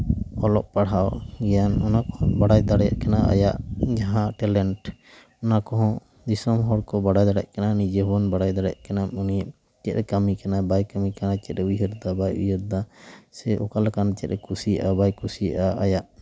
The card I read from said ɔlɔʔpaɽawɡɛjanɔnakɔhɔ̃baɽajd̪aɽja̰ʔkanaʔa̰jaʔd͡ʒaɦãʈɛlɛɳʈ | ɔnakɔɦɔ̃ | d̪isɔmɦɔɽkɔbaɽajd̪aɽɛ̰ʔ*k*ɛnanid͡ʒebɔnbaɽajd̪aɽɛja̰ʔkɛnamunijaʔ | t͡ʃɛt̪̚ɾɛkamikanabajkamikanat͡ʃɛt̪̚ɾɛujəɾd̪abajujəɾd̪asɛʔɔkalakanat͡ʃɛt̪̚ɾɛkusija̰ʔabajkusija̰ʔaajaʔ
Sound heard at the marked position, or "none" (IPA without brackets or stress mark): k